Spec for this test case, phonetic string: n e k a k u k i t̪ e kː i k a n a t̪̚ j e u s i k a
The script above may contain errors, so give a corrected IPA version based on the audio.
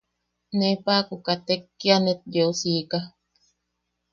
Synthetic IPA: n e p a k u k a t̪ e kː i a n e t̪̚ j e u s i k a